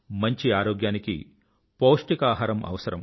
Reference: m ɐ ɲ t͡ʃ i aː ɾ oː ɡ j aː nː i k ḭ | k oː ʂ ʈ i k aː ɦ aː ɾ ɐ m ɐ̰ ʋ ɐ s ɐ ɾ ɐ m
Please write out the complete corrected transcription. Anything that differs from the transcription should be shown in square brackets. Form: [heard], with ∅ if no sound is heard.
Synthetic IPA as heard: m ɐ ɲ t͡ʃ i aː ɾ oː ɡ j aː [n] i k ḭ | [p] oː ʂ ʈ i k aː ɦ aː ɾ ɐ m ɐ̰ ʋ ɐ s ɐ ɾ ɐ m